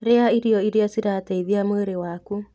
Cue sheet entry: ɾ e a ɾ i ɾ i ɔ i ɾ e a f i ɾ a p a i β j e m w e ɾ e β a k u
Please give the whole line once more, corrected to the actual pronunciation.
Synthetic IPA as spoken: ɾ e a i ɾ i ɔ i ɾ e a s i ɾ a t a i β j a m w e ɾ e w a k u